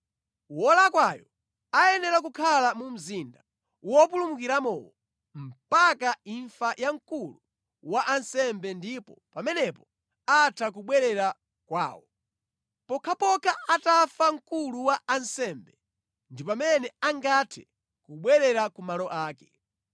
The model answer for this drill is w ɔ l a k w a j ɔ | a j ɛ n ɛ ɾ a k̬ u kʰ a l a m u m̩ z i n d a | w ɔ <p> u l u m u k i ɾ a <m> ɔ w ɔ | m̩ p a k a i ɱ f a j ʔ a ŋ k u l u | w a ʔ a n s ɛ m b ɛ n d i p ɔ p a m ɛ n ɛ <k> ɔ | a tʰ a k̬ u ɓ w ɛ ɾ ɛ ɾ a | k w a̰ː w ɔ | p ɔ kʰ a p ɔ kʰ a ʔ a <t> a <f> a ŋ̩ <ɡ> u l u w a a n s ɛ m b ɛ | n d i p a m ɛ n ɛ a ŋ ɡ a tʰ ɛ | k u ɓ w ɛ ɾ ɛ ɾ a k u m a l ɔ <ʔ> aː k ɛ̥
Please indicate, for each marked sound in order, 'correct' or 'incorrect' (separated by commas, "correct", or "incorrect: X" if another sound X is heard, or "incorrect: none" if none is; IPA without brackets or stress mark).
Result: correct, correct, incorrect: p, correct, correct, incorrect: k, correct